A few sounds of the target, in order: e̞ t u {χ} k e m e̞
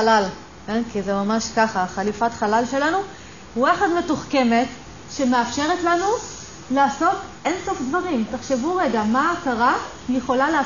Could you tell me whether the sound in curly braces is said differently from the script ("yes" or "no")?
no